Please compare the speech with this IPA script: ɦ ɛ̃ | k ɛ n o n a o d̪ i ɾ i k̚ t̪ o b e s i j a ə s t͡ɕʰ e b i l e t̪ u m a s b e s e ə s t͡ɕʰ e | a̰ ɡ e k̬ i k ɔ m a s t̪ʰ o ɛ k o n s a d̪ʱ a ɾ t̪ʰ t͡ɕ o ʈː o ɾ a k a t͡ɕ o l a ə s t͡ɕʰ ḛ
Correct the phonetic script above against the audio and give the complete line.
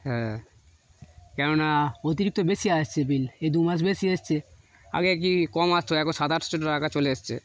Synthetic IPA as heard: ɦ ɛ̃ | k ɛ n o n a o t̪ i ɾ i k̚ t̪ o b e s i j a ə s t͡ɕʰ e b i l e d̪ u m a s b e s i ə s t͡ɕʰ e | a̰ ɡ e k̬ i k ɔ m a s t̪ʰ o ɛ k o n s a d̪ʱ a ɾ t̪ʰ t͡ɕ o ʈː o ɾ a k a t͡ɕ o l e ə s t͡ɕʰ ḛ